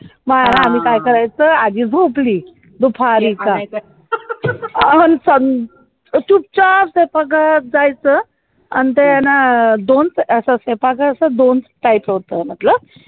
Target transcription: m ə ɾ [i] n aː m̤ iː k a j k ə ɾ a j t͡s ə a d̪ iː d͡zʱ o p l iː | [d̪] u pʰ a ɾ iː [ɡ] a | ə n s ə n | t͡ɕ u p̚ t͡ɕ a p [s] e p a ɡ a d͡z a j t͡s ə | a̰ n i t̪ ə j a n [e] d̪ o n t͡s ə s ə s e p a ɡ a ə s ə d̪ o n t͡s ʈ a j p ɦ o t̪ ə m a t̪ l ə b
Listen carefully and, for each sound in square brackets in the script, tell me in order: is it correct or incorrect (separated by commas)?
incorrect, correct, incorrect, correct, incorrect